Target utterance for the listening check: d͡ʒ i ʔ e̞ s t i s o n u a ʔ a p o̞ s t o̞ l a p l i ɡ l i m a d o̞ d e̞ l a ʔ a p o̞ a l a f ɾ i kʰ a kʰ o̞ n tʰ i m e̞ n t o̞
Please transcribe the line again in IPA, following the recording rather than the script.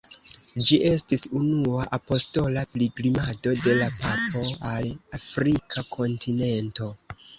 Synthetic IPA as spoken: d͡ʒ i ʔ e̞ s t i s u n u a ʔ a p o̞ s t o̞ l a p l i ɡ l i m a d o̞ d e̞ l a p a p o̞ a l a f ɾ i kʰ a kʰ o̞ n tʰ i n e̞ n t o̞